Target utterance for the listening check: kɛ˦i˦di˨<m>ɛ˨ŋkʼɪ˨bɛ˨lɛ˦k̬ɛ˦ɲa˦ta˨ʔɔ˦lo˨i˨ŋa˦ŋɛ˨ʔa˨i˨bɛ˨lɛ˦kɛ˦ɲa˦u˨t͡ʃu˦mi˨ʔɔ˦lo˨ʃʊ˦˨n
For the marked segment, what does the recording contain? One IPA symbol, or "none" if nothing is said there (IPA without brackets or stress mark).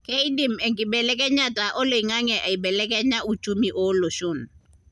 m